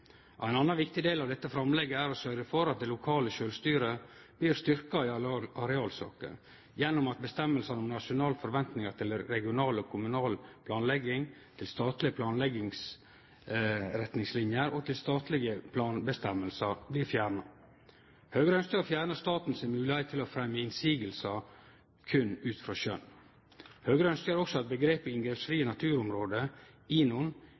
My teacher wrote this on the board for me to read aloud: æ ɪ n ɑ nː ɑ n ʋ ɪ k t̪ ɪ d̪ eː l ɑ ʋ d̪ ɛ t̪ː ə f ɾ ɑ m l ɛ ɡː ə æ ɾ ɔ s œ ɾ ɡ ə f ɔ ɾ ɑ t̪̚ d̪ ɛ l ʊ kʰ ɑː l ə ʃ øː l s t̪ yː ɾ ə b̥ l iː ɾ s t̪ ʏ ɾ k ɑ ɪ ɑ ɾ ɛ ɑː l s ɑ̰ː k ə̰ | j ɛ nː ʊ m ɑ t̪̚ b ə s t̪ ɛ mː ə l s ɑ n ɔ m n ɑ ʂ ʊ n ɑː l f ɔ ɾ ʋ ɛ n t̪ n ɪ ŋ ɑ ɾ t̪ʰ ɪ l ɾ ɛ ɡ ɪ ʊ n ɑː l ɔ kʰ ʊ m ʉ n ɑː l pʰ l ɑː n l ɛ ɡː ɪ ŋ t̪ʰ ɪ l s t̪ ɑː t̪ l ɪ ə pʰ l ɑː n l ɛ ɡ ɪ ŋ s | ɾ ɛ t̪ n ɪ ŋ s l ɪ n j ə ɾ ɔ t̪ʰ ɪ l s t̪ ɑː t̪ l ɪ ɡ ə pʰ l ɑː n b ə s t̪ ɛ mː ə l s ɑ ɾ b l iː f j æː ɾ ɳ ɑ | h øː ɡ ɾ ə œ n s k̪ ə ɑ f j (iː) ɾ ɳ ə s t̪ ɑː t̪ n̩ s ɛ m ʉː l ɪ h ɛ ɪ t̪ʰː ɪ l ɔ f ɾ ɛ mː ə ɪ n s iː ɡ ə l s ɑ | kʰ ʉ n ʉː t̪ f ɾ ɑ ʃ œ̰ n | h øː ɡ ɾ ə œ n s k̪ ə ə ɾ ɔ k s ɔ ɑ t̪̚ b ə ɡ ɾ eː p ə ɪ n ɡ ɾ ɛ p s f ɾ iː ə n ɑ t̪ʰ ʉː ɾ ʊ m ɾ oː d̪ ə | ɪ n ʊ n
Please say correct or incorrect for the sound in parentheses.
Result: incorrect